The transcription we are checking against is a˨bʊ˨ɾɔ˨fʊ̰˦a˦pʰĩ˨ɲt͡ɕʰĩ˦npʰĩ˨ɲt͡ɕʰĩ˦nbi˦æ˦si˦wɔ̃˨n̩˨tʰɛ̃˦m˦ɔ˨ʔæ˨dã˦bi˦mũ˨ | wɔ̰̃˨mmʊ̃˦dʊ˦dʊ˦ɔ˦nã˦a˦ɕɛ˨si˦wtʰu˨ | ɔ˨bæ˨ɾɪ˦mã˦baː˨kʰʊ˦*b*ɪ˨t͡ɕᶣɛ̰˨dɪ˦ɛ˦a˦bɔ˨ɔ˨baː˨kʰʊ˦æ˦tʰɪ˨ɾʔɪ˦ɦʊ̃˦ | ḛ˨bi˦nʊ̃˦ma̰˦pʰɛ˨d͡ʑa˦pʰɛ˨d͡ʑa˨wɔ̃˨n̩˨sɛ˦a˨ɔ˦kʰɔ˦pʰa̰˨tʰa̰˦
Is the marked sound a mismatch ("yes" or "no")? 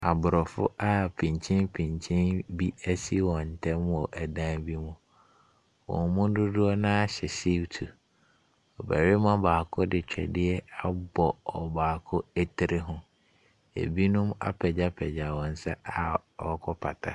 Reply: yes